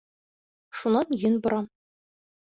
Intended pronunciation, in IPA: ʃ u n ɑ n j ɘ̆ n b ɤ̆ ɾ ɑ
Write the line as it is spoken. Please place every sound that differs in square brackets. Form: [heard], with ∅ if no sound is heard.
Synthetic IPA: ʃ u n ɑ n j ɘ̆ n b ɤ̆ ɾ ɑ